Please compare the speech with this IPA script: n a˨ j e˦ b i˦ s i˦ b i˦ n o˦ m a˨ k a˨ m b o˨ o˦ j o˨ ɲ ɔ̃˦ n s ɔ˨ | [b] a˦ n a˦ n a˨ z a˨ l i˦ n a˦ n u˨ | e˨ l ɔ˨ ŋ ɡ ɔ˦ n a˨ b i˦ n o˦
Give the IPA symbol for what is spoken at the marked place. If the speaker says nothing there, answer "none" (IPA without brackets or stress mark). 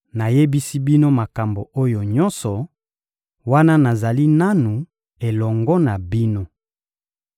w